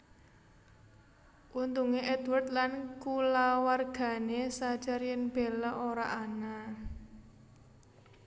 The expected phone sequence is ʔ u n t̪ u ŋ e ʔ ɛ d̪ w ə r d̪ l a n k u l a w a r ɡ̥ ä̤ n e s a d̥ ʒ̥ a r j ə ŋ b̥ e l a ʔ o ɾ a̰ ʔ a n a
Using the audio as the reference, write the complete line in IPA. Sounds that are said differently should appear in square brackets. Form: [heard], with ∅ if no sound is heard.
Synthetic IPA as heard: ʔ u n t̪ u ŋ e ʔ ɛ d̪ w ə r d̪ l a n k u l a w a r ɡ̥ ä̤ n e s a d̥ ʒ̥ a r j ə [n] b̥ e l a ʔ o ɾ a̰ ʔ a n a